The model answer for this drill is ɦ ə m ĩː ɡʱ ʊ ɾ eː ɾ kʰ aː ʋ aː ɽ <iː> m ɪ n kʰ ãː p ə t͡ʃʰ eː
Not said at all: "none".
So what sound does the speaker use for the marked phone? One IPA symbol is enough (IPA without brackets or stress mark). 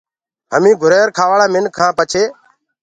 aː